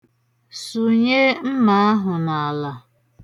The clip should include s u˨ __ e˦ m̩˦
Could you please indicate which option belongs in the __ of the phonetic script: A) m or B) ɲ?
B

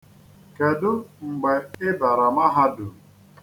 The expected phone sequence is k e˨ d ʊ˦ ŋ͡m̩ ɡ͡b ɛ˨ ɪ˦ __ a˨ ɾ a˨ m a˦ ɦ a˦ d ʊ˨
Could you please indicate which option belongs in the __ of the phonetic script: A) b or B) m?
A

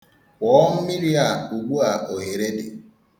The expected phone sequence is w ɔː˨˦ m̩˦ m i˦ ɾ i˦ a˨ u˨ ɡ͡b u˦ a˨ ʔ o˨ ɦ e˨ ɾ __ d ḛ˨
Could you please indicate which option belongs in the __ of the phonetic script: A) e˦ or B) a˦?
A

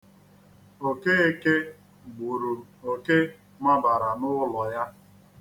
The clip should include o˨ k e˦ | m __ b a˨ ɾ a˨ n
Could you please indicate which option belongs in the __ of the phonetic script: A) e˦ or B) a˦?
B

